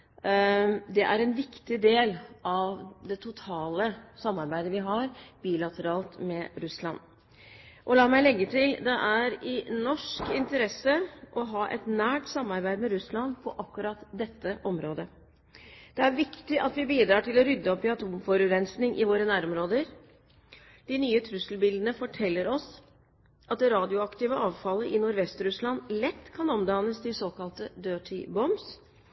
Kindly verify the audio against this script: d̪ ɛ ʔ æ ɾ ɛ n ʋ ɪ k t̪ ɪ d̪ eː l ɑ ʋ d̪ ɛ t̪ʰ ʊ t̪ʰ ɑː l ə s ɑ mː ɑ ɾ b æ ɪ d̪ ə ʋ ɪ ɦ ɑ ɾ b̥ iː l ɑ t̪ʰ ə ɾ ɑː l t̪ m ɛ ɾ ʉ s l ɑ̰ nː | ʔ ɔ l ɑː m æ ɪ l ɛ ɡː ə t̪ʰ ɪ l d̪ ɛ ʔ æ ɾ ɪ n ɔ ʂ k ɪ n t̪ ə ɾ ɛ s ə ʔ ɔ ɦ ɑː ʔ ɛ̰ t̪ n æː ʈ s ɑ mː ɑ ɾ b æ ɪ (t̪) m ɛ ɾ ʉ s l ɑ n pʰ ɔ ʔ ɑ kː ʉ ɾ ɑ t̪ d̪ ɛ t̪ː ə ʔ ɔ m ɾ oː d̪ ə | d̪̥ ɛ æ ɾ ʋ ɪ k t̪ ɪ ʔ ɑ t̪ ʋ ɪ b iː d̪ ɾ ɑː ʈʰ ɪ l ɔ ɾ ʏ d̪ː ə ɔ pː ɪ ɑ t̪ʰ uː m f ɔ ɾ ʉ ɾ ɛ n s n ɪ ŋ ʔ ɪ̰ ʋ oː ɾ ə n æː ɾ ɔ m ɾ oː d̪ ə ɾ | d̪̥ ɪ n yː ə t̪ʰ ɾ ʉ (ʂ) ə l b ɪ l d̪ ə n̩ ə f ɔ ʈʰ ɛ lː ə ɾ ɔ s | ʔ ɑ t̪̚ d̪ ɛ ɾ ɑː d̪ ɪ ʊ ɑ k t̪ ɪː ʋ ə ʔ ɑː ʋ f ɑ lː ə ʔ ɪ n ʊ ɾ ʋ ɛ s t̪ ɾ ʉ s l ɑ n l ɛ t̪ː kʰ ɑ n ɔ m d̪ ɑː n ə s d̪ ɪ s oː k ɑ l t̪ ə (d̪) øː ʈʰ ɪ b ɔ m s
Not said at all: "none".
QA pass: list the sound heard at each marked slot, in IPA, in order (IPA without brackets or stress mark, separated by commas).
d̪, s, d̪